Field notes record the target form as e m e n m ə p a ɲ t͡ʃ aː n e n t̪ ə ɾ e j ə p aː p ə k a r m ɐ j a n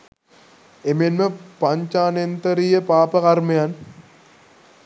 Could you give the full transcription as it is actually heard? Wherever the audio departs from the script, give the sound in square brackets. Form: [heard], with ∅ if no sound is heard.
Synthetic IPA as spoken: e m e n m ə p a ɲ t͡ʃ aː n e n t̪ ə ɾ [i] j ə p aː p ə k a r m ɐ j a n